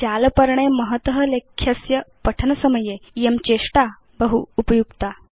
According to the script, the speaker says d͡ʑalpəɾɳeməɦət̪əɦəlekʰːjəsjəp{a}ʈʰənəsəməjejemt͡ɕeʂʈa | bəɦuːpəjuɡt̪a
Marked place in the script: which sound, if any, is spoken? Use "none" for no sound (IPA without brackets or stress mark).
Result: ə